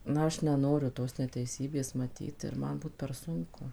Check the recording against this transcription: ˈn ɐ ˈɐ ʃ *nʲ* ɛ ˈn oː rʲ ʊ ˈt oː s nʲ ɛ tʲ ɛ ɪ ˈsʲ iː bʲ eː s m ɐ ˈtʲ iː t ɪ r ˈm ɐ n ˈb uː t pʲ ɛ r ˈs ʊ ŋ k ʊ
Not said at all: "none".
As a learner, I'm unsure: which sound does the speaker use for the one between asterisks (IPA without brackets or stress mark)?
nʲ